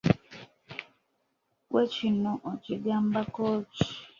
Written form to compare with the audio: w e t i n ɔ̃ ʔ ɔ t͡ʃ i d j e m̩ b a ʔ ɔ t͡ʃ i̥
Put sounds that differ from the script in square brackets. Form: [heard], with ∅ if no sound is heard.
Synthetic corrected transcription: w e [t͡ʃ] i n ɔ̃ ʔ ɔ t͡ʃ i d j [a] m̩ b a [k] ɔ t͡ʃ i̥